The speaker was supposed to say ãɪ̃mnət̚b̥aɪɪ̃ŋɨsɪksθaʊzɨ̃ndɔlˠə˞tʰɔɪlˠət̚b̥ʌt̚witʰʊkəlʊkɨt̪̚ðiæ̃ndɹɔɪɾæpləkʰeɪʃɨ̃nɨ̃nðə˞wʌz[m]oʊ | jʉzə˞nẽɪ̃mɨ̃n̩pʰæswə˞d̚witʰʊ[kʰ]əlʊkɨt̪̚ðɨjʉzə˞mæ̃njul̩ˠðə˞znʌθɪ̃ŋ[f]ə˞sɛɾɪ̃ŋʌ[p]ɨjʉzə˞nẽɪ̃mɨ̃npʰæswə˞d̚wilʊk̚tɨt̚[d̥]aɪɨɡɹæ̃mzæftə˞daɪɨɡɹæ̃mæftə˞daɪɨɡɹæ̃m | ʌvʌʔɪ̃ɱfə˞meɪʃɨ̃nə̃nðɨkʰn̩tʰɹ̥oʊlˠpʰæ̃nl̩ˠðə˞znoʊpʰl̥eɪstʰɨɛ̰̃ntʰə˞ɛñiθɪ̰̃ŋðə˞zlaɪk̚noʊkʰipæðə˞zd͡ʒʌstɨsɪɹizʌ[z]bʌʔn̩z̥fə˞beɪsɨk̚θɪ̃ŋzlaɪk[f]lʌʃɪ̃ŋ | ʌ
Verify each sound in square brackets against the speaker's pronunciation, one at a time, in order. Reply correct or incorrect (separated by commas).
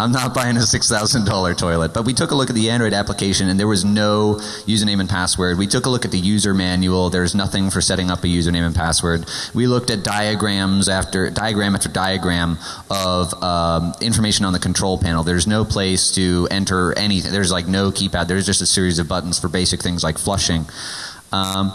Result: incorrect, incorrect, correct, correct, correct, incorrect, correct